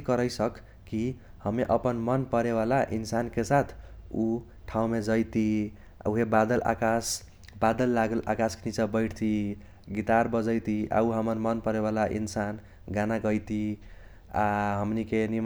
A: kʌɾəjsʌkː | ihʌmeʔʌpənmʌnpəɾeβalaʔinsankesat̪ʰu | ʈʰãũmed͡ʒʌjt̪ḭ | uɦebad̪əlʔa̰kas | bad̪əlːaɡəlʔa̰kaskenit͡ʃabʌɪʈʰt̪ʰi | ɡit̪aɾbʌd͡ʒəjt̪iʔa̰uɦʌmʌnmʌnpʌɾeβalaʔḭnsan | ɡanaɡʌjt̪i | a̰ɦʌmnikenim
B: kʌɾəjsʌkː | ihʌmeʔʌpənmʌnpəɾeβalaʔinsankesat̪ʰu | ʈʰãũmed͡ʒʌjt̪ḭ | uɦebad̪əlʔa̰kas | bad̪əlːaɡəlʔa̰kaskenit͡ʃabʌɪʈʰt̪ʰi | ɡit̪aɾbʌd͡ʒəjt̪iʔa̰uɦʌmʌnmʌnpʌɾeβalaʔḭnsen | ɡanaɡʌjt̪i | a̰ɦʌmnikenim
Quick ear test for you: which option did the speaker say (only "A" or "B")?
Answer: A